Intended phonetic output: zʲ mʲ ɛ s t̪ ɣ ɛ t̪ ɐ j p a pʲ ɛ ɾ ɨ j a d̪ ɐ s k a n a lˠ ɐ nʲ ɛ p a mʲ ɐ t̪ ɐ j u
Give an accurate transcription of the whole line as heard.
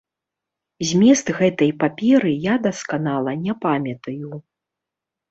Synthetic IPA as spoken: zʲ mʲ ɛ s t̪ ɣ ɛ t̪ ɐ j p a pʲ ɛ ɾ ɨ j a d̪ ɐ s k a n a lˠ ɐ nʲ ɛ p a mʲ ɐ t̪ ɐ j u